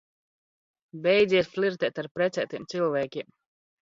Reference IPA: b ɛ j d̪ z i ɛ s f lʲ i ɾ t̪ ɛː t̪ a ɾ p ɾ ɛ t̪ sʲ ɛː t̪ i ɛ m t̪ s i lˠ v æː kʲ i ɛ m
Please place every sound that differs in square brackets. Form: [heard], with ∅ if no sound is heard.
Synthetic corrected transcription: b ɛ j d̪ z i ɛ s f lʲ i ɾ t̪ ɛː t̪ a ɾ p ɾ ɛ t̪ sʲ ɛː t̪ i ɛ m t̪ s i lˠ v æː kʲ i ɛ m